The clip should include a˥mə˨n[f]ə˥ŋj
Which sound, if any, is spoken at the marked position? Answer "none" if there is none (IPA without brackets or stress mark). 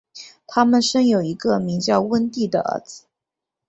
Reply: ʂ